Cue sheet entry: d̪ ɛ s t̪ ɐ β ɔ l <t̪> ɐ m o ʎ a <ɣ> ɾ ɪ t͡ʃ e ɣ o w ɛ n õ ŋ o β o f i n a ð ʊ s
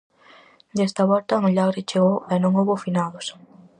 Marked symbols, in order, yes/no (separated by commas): yes, yes